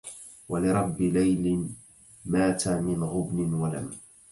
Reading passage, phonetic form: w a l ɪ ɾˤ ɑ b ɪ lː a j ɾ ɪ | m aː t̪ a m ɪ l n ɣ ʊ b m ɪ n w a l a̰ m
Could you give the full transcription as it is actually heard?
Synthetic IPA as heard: w a l ɪ ɾˤ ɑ bː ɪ l a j l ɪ | m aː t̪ a m ɪ n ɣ ʊ b n ɪ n w a l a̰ m